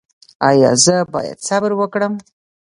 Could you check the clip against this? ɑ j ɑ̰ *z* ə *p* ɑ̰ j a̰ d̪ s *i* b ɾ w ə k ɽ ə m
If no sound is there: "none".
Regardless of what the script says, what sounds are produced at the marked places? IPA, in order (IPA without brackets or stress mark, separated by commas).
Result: z, b, a